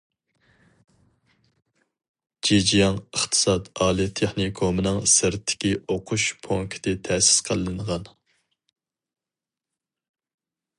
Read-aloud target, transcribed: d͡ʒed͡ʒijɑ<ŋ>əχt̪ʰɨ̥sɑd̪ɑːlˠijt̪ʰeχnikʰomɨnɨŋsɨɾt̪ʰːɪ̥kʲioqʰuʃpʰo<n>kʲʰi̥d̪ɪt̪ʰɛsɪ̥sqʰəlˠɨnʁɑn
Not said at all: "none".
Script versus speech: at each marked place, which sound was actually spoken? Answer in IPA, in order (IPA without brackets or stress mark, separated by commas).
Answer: ŋ, ŋ